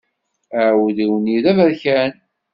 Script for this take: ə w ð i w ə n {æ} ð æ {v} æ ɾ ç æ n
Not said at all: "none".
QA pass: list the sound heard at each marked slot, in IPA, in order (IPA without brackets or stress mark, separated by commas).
i, v